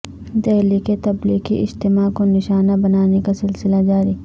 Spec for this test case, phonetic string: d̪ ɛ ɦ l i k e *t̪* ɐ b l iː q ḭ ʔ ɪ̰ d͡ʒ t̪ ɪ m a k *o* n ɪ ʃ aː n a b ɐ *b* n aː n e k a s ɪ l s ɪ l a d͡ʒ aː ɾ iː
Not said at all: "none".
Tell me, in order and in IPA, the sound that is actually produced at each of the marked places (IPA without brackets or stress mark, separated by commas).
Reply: t̪, o, none